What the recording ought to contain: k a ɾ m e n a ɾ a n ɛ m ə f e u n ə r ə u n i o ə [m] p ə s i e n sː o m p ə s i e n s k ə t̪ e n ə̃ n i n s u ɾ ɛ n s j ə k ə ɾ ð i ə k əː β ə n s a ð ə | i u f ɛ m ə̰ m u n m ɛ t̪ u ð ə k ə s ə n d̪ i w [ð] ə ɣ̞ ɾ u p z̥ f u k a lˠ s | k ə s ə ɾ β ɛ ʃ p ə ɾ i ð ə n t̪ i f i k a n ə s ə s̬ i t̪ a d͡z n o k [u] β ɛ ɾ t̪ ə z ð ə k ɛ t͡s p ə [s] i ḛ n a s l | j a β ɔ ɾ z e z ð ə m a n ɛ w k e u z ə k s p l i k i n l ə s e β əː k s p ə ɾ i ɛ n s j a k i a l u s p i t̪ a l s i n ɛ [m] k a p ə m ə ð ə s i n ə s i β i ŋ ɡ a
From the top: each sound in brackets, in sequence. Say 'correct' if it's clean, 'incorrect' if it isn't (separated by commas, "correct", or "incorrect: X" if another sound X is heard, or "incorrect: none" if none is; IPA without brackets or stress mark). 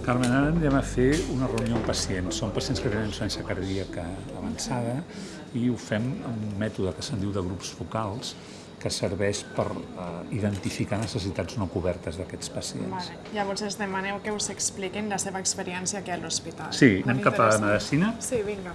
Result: correct, correct, correct, correct, correct